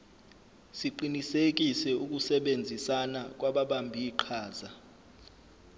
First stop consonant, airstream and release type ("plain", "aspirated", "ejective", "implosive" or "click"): click